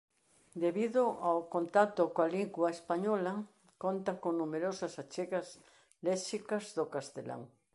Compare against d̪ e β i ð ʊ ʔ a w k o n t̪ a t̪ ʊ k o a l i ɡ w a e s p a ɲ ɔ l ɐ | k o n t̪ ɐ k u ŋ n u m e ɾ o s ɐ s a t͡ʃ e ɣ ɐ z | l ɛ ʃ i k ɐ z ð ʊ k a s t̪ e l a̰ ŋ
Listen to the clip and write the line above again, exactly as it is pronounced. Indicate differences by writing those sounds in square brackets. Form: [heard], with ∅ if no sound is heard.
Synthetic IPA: d̪ e β i ð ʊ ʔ a w k o n t̪ a t̪ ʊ k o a l i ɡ w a e s p a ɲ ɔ l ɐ | k o n t̪ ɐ k [o] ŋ n u m e ɾ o s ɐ s a t͡ʃ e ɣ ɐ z | l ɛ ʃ i k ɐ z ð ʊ k a s t̪ e l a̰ ŋ